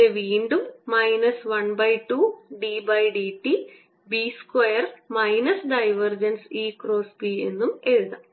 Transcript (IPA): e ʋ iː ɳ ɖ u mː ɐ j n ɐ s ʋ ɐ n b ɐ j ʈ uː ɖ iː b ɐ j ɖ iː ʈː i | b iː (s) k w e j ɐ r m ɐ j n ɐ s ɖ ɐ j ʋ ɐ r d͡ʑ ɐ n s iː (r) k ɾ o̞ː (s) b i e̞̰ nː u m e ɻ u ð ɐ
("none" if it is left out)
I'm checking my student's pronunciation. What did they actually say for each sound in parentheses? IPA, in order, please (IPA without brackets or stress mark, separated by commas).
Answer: s, none, s